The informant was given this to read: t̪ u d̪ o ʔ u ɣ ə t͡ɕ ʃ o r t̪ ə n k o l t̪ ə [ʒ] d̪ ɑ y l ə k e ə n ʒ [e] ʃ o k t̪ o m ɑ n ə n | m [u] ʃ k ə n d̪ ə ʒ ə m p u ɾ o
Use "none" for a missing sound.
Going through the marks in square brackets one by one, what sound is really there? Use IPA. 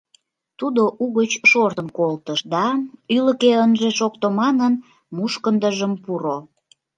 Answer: ʃ, e, u

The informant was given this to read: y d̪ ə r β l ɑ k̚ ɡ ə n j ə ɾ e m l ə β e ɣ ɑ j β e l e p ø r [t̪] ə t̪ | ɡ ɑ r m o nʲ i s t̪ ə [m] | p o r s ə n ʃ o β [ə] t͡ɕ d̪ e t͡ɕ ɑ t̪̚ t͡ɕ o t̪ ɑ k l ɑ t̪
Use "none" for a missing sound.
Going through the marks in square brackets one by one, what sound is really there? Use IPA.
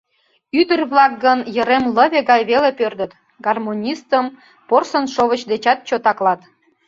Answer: d̪, m, ə

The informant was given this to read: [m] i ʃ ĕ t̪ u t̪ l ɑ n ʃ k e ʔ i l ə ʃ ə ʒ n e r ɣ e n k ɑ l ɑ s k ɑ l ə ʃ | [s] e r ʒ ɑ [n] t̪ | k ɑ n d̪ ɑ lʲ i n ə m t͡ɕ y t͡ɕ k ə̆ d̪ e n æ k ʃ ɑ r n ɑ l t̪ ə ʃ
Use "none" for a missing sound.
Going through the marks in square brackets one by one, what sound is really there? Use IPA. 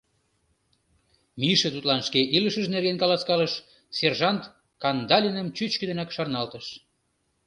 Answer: m, s, n

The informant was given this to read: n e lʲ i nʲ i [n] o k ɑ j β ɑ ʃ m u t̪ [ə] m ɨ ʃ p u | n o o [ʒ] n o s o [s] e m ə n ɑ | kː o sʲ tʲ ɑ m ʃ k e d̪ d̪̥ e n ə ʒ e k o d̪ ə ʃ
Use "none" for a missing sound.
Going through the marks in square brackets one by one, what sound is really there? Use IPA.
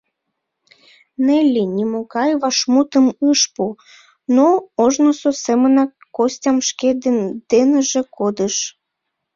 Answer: m, ə, ʒ, s

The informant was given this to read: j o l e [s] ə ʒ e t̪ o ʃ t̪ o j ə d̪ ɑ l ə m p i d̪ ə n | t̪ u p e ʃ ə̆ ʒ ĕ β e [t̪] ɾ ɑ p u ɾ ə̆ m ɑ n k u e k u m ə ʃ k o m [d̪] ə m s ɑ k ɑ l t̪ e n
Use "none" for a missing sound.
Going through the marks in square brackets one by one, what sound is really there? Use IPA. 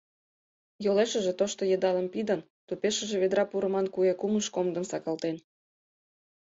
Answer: ʃ, d̪, d̪

